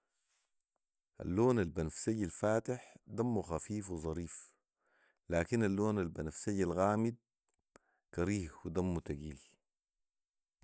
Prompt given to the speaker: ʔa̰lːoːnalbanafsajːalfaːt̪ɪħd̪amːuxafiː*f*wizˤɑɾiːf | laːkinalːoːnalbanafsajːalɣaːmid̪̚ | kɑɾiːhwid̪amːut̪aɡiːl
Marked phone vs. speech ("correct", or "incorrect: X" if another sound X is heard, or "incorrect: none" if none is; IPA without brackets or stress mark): correct